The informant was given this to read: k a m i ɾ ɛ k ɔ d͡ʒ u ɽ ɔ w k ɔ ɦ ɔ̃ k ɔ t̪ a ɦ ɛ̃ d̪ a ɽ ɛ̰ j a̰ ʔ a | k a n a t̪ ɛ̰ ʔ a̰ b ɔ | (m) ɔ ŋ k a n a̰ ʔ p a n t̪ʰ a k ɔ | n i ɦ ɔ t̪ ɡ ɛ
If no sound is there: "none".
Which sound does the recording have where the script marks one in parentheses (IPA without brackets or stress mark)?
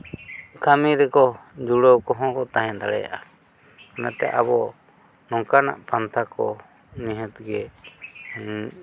n